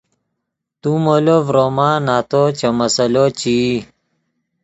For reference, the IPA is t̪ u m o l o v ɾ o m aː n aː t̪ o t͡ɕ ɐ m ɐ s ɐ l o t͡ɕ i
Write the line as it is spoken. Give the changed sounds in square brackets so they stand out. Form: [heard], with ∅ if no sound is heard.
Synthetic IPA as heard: t̪ u m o l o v ɾ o m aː n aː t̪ o t͡ɕ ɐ m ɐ s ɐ l o t͡ɕ i